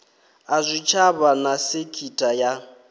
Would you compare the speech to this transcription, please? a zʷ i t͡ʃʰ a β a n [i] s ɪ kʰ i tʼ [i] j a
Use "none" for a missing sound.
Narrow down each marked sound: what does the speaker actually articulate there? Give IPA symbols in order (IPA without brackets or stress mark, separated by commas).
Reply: a, a